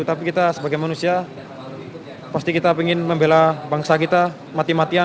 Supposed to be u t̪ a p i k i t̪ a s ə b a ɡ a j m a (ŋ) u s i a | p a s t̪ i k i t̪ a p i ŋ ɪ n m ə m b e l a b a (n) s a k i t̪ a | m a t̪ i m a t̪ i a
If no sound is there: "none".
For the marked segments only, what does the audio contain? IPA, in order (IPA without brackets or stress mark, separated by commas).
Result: n, ŋ